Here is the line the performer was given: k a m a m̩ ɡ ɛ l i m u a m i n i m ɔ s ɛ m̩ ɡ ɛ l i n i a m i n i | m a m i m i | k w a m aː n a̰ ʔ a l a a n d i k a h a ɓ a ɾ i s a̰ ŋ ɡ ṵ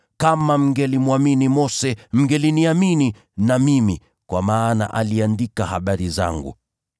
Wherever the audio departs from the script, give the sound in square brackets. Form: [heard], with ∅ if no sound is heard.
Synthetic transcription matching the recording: k a m a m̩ ɡ ɛ l i m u a m i n i m ɔ s ɛ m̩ ɡ ɛ l i n i a m i n i | [n] a m i m i | k w a m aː n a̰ ʔ a l [i] a n d i k a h a ɓ a ɾ i [z] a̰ ŋ ɡ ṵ